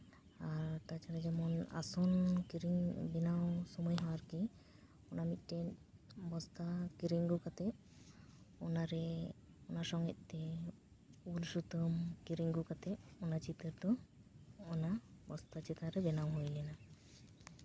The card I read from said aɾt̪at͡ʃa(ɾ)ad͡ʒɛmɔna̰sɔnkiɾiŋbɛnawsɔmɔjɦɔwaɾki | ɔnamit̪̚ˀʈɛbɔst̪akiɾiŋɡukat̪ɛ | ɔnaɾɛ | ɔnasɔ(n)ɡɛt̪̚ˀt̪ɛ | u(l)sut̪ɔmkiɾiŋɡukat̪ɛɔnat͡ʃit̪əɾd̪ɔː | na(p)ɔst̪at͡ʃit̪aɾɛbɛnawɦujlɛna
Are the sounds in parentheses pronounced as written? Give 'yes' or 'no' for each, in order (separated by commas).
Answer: yes, no, yes, no